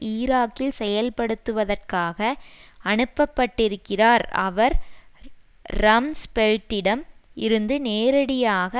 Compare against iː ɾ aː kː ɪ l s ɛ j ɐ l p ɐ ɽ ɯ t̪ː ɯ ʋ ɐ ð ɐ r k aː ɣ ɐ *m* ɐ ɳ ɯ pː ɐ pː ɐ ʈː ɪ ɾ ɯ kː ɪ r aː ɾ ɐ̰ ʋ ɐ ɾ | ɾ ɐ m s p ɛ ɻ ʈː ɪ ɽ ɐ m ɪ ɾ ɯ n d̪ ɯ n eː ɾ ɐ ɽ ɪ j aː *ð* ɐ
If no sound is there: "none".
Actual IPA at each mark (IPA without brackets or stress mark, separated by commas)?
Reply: none, ɣ